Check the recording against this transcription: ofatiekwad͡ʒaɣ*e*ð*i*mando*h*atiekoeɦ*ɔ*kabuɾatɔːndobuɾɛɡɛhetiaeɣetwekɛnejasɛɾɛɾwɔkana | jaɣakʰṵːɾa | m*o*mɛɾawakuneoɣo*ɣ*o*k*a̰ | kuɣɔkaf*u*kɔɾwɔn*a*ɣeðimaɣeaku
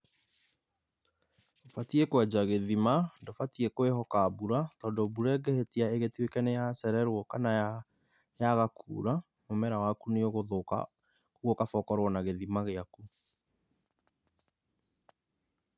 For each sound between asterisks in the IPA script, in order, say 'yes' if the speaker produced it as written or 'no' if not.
yes, yes, no, yes, yes, no, yes, no, yes

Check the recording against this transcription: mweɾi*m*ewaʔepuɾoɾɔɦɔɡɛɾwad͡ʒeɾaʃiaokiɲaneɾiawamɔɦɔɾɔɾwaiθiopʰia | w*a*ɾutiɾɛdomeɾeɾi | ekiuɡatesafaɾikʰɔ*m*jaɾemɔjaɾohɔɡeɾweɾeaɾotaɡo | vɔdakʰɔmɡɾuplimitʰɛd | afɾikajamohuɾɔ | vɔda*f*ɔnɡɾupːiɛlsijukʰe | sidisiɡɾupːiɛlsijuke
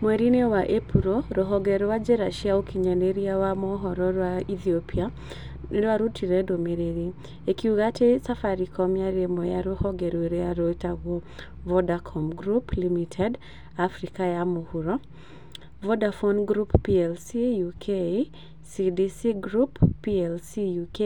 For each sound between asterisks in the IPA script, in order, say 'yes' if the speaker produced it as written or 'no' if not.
no, yes, yes, yes

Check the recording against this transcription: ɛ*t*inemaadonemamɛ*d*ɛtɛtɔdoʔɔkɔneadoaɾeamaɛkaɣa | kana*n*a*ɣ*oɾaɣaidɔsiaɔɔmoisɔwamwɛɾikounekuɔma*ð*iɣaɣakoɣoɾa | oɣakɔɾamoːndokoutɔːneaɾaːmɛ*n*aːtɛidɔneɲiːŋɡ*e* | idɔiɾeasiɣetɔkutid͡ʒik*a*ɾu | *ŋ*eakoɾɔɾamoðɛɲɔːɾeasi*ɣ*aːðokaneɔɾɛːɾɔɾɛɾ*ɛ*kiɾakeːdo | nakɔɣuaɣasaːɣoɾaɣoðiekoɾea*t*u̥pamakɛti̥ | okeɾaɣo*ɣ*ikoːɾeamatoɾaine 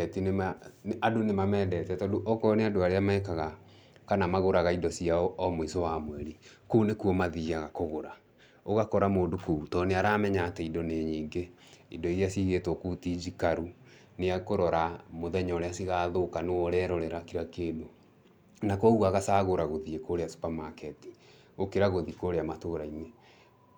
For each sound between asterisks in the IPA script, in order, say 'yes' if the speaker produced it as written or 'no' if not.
yes, yes, no, yes, yes, no, yes, yes, no, yes, no, no, no

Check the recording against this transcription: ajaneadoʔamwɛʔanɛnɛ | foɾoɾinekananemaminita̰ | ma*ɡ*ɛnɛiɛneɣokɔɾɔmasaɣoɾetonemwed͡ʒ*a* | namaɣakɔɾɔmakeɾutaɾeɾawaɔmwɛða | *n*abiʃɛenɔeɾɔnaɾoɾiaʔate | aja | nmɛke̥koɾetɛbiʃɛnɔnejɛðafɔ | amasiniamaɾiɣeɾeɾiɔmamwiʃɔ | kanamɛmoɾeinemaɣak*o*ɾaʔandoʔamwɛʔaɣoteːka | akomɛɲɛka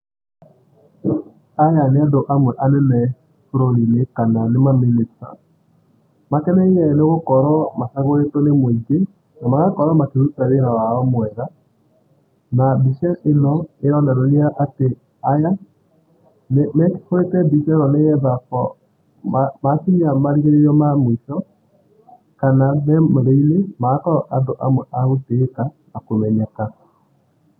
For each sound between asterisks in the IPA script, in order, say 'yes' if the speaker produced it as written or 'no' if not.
no, no, yes, no

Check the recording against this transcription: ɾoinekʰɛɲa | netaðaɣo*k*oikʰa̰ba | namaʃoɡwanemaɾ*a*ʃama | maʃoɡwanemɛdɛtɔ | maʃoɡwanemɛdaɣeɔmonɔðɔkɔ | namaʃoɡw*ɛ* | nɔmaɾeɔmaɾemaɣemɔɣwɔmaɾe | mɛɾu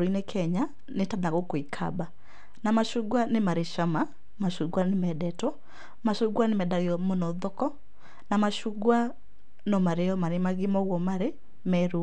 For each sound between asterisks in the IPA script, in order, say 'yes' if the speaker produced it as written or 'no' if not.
yes, no, no

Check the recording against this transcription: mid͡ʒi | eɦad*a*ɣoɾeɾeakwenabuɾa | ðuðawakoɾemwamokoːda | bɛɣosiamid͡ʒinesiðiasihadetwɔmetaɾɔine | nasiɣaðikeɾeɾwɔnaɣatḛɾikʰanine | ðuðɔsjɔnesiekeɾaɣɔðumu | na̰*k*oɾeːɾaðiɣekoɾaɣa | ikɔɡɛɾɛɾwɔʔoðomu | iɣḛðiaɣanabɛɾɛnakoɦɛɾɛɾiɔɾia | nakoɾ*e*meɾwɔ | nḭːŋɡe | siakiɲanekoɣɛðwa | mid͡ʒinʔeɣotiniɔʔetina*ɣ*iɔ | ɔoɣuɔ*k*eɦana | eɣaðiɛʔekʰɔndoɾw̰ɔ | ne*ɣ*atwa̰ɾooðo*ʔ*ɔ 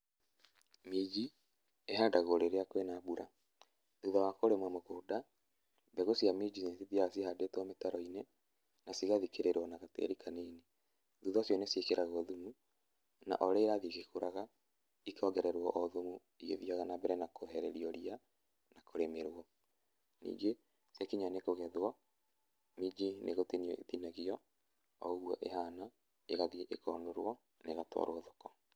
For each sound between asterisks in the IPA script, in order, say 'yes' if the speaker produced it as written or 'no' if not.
yes, no, yes, yes, no, yes, no

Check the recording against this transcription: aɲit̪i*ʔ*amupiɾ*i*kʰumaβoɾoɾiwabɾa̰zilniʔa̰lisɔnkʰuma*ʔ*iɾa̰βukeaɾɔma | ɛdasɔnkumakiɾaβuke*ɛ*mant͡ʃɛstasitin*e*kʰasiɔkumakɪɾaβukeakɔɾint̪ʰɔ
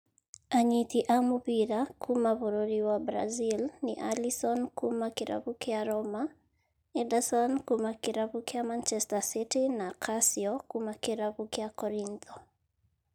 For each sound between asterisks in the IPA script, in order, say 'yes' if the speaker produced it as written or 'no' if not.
yes, no, no, no, no

